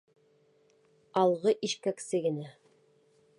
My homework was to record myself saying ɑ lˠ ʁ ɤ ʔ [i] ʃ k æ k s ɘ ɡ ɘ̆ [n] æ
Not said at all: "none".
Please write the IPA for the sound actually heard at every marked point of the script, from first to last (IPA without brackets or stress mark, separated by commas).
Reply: i, n